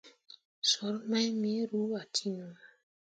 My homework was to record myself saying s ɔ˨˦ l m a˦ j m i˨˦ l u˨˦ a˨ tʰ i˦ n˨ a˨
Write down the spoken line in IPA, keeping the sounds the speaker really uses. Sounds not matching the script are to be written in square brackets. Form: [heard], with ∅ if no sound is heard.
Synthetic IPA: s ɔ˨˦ [ɾ] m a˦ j m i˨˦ [ɾ] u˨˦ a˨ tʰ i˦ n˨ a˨